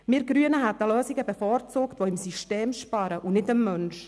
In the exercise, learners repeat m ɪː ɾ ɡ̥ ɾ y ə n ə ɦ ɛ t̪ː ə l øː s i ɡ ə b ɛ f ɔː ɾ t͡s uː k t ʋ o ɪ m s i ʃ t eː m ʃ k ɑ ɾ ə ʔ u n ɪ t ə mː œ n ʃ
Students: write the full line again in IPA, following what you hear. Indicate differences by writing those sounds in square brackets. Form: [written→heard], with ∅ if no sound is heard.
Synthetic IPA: m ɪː ɾ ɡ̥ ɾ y ə n ə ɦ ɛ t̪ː ə l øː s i ɡ ə b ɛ f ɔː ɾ t͡s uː k t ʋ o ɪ m s i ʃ t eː m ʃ [k→p] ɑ ɾ ə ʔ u n ɪ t ə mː œ n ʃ

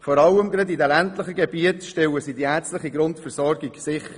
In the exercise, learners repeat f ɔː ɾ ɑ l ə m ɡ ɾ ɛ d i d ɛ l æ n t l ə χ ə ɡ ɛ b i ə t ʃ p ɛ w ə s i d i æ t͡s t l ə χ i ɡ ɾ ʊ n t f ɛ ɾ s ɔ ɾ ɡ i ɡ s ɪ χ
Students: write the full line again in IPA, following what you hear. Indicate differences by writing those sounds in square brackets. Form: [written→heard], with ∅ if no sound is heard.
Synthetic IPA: f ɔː ɾ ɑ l ə m ɡ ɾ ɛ d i d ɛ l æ n t l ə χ ə ɡ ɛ b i ə t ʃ [p→t] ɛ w ə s i d i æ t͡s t l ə χ i ɡ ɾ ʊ n t f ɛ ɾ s ɔ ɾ ɡ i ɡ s ɪ χ

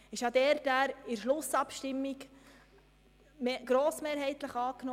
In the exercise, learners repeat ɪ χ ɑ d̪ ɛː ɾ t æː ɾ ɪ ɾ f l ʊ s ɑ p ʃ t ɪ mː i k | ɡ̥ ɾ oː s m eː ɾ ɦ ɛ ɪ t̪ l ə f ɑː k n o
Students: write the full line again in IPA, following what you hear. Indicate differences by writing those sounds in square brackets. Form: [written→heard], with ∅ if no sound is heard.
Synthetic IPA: ɪ [χ→ʃ] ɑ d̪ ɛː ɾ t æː ɾ ɪ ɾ [f→ʃ] l ʊ s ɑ p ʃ t ɪ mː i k | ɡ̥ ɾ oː s m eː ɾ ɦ ɛ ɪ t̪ l ə [f→χ] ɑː k n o

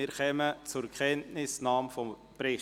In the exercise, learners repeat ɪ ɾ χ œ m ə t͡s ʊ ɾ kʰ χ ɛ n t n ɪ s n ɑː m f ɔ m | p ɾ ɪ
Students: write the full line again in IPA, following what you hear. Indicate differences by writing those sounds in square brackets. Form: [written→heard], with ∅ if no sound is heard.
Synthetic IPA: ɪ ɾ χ [œ→ɛ] m ə t͡s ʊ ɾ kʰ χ ɛ n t n ɪ s n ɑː m f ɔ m | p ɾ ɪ

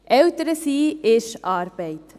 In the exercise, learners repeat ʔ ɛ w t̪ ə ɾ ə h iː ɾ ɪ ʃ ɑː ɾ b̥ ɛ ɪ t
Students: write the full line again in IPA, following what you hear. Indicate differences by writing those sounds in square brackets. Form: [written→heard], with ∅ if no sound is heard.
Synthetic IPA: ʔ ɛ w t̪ ə ɾ ə [h→s] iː [ɾ→∅] ɪ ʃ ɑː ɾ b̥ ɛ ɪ t

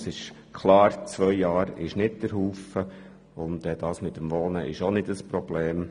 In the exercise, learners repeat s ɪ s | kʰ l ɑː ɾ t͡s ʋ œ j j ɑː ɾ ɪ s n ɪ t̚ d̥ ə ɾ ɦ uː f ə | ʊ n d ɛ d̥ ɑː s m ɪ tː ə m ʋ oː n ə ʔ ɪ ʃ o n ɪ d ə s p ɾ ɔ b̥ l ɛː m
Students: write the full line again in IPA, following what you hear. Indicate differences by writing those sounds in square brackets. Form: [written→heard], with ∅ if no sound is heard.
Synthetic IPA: s ɪ [s→ʃ] | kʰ l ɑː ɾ t͡s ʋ œ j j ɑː ɾ ɪ [s→ʃ] n ɪ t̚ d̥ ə ɾ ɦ uː f ə | ʊ n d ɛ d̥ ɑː s m ɪ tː ə m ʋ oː n ə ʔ ɪ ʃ o n ɪ d ə s p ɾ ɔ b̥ l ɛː m

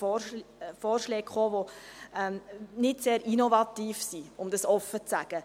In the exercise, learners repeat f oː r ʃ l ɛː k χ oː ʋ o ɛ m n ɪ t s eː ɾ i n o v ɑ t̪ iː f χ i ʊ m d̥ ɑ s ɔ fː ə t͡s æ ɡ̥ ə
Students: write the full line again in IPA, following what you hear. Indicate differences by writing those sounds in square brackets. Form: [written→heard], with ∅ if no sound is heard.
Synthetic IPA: f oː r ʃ l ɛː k χ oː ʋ o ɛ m n ɪ t s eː ɾ i n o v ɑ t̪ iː f [χ→s] i ʊ m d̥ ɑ s ɔ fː ə t͡s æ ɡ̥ ə

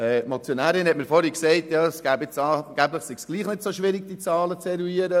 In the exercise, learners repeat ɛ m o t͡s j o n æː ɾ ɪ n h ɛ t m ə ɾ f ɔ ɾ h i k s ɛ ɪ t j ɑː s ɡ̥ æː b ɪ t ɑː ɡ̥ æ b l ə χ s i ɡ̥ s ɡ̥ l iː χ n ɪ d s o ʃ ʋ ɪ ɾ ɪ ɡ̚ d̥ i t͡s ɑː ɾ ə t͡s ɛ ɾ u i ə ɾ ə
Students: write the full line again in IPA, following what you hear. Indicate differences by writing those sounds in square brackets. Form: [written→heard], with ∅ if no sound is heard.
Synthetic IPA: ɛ m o t͡s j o n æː ɾ ɪ n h ɛ t m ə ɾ f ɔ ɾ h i k s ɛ ɪ t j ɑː s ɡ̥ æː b ɪ [t→t͡s] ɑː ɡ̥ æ b l ə χ s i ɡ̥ s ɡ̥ l iː χ n ɪ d s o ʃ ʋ ɪ ɾ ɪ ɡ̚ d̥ i t͡s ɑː [ɾ→l] ə t͡s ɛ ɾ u i ə ɾ ə

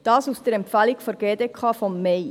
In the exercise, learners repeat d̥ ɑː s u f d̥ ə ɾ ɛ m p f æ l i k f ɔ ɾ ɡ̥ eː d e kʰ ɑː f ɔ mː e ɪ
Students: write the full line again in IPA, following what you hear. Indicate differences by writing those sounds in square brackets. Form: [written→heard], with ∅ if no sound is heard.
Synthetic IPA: d̥ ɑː s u [f→s] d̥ ə ɾ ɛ m p f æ l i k f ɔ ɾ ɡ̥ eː d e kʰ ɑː f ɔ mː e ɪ

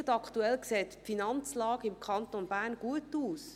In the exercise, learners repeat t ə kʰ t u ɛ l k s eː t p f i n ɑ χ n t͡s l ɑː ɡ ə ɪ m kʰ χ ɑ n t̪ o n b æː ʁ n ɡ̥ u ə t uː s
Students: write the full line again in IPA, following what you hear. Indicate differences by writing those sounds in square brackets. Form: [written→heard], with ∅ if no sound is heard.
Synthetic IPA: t [ə→ɑ] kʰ t u ɛ l k s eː t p f i n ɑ [χ→∅] n t͡s l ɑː ɡ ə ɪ m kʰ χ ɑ n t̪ o n b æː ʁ n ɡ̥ u ə t uː s

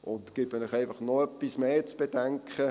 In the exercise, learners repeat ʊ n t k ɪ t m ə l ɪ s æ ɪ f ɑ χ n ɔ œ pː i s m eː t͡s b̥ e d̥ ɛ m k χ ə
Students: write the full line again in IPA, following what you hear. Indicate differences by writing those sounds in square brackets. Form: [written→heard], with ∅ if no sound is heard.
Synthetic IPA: ʊ n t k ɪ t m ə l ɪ [s→χ] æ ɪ f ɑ χ n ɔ œ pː i s m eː t͡s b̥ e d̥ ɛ [m→ŋ] k χ ə

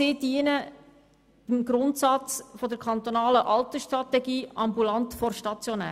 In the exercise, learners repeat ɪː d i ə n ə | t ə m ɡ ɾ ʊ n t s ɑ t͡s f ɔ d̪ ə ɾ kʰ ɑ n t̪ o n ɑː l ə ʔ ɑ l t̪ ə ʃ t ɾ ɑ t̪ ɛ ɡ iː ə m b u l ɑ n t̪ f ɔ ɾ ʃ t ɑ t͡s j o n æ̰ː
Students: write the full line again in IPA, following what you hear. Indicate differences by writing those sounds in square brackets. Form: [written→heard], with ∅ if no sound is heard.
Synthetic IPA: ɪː d i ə n ə | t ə m ɡ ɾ ʊ n t s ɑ t͡s f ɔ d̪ ə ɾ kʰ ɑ n t̪ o n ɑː l ə ʔ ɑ l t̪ ə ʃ t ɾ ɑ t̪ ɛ ɡ iː [ə→ɑ] m b u l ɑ n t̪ f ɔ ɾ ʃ t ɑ t͡s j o n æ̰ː

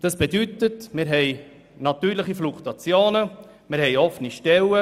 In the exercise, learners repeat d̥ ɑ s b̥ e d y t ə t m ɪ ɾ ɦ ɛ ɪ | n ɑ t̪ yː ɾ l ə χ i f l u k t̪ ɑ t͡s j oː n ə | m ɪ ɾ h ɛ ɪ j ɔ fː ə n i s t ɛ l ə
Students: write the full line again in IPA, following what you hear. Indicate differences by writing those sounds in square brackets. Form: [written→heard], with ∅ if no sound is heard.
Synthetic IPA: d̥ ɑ s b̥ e d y t ə t m ɪ ɾ ɦ ɛ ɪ | n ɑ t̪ yː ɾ l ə χ i f l u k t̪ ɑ t͡s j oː n ə | m ɪ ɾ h ɛ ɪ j ɔ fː ə n i [s→ʃ] t ɛ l ə

